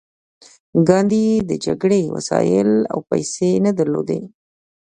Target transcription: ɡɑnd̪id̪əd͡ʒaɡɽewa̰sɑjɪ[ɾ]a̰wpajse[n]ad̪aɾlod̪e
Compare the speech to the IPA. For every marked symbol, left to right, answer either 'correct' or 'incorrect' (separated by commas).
incorrect, correct